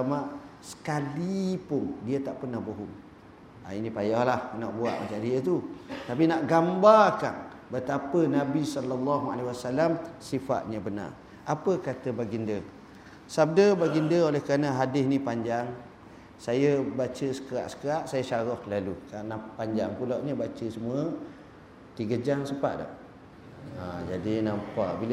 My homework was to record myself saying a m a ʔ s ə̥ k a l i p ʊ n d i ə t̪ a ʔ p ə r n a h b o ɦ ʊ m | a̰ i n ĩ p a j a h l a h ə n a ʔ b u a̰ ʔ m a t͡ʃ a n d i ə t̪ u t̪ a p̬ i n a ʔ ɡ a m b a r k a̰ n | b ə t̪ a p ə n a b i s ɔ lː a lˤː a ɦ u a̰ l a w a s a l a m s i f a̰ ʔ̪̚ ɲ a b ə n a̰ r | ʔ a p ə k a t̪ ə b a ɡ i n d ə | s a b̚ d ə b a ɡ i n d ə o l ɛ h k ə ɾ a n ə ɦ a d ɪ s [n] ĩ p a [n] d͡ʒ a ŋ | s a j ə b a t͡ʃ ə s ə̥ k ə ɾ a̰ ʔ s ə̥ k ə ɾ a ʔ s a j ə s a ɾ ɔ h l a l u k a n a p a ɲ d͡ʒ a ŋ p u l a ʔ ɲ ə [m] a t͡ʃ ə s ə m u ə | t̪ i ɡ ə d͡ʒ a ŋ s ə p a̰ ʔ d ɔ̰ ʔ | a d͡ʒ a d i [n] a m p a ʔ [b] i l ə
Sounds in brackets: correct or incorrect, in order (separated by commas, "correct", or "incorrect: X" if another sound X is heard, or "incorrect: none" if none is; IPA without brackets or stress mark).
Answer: correct, incorrect: ɲ, incorrect: b, correct, correct